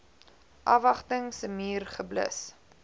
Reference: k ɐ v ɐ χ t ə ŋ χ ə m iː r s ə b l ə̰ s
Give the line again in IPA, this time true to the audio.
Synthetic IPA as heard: ʔ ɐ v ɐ χ t ə ŋ s ə m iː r χ ə b l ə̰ s